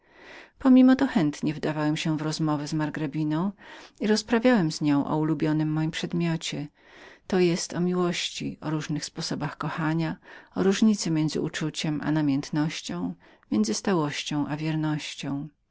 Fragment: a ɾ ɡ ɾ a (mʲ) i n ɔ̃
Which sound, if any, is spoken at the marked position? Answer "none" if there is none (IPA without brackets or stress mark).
bʲ